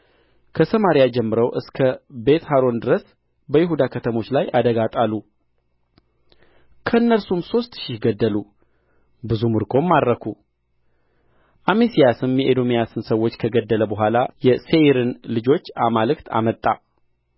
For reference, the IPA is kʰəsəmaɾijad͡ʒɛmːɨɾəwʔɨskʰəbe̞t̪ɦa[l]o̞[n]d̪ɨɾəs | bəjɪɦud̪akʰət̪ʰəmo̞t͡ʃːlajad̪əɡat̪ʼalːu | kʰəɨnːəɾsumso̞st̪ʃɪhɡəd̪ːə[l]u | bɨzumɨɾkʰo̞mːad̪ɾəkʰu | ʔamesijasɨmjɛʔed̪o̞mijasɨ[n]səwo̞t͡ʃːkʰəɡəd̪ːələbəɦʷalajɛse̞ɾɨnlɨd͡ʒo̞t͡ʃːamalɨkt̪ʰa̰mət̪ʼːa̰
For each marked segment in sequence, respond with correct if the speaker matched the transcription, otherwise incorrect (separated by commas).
incorrect, correct, correct, correct